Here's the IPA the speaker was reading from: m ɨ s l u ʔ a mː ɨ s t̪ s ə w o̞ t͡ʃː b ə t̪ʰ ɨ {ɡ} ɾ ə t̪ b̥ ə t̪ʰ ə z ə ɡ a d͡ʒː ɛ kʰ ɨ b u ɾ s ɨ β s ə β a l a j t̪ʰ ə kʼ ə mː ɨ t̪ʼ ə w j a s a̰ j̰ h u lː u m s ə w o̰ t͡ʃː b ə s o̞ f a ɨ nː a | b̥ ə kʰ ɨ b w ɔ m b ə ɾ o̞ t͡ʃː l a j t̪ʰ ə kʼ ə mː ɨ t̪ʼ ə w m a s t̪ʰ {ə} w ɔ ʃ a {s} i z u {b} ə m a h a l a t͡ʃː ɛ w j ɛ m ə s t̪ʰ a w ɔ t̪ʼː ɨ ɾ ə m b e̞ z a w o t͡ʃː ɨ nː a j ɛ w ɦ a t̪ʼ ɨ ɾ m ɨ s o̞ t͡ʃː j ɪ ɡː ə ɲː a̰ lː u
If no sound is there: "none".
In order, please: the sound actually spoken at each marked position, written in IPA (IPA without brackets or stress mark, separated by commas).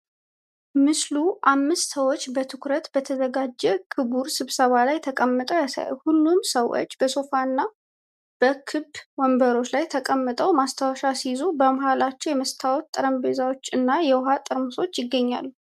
k, a, s, b